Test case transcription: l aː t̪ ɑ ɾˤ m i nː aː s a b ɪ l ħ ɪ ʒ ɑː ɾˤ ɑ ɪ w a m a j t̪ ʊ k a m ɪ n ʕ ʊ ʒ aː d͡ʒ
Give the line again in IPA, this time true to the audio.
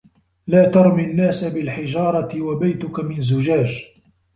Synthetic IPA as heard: l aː t̪ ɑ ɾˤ m i nː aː s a b ɪ l ħ ɪ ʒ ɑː ɾˤ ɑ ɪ w a b a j t̪ ʊ k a m ɪ n z ʊ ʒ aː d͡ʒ